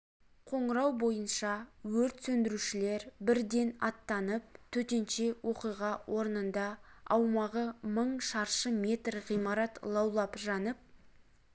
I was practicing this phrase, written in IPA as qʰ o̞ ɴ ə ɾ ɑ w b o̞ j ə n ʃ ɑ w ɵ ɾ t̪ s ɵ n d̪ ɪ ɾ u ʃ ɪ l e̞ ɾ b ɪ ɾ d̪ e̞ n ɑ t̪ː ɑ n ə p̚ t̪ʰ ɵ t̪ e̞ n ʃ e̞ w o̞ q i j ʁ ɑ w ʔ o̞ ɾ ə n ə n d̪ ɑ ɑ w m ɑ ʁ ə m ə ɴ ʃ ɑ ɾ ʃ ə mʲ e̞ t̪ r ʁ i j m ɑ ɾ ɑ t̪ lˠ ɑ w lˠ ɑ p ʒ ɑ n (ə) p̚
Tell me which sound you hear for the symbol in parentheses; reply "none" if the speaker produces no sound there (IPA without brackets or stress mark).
ə